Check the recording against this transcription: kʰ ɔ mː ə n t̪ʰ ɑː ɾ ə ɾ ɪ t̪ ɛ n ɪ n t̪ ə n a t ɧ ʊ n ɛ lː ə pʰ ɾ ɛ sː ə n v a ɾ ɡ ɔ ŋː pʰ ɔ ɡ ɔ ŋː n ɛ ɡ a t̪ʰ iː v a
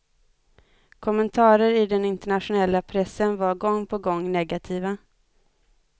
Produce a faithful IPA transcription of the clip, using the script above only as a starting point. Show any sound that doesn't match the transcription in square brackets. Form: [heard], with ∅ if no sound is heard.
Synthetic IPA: kʰ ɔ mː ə n t̪ʰ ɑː ɾ ə ɾ ɪ [d̪] ɛ n ɪ n t̪ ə [ɳ] a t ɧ ʊ n ɛ lː [a] pʰ ɾ ɛ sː ə n v a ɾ ɡ ɔ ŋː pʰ ɔ ɡ ɔ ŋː n ɛ ɡ a t̪ʰ iː v a